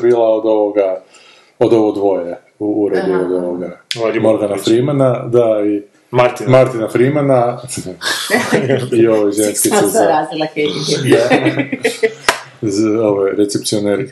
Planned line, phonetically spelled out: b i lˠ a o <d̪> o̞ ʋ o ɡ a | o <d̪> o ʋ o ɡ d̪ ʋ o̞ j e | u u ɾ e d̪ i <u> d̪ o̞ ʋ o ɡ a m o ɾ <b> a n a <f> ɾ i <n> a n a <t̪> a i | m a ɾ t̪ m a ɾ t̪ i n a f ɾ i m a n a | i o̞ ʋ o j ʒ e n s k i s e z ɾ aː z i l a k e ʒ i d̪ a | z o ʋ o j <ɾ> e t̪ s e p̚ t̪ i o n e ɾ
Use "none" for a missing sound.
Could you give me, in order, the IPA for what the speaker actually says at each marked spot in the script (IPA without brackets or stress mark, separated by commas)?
d̪, d̪, o, ɡ, f, m, d̪, ɾ